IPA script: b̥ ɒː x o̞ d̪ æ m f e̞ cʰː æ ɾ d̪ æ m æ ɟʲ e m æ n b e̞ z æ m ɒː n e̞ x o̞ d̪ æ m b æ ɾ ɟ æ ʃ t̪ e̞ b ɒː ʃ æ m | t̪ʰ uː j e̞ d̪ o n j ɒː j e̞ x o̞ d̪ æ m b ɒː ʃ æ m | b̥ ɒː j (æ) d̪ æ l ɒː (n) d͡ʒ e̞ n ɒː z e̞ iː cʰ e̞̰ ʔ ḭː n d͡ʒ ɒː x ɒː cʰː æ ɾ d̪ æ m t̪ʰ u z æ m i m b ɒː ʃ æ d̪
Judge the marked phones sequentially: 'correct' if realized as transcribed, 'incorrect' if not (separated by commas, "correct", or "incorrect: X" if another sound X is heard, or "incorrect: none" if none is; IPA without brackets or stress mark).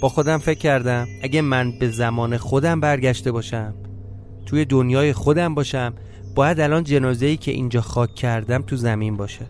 correct, correct